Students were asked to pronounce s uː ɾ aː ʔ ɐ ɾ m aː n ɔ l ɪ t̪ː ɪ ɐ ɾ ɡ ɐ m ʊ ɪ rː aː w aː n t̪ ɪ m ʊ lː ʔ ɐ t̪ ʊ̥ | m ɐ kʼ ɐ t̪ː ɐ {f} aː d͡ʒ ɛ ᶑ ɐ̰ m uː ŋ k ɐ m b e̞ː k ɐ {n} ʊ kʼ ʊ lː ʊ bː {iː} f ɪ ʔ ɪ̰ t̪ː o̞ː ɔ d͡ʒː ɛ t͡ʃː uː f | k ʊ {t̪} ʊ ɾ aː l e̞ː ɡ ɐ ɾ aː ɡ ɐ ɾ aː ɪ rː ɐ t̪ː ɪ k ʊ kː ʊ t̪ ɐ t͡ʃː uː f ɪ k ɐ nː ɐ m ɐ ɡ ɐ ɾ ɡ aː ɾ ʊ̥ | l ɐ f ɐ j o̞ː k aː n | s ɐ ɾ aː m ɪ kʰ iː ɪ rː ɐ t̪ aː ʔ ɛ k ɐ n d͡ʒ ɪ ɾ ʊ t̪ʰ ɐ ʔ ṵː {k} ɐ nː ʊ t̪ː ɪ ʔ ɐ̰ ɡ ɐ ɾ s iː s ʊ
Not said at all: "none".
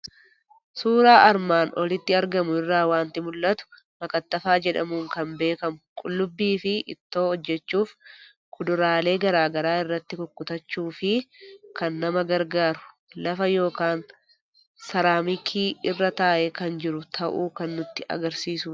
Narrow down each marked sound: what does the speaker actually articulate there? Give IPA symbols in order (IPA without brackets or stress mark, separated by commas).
f, m, iː, d̪, k